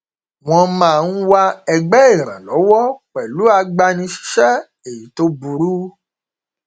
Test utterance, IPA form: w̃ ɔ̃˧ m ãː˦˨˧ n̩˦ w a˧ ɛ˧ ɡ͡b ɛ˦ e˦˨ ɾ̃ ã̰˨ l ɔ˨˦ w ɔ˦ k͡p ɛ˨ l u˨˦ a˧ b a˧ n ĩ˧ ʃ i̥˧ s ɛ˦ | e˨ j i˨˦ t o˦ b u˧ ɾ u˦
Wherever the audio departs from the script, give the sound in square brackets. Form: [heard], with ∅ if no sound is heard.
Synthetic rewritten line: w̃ ɔ̃˧ m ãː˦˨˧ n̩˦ w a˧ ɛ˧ ɡ͡b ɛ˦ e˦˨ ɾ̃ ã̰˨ l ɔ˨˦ w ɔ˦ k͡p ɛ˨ l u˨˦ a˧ [ɡ͡b] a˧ n ĩ˧ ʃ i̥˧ [ʃ] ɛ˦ | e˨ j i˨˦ t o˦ b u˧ ɾ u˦